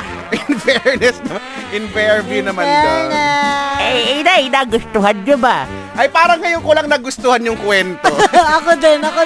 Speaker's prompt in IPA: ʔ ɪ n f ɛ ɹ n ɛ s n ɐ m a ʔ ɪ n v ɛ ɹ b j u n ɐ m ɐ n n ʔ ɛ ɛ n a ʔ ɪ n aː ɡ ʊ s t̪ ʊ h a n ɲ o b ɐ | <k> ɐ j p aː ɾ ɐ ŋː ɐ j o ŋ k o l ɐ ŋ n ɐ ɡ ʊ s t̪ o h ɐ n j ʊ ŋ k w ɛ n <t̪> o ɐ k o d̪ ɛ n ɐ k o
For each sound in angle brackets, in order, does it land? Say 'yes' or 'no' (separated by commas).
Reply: no, yes